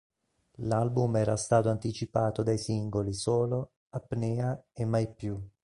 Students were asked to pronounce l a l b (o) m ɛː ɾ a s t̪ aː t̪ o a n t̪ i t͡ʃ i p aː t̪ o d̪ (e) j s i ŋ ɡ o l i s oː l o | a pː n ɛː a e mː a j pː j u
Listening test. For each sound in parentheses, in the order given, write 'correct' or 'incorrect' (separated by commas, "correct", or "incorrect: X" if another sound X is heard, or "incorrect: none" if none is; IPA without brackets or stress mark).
incorrect: u, incorrect: a